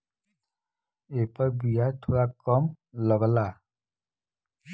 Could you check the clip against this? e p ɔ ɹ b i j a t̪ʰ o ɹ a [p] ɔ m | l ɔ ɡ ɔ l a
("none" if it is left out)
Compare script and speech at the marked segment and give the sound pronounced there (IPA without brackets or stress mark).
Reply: k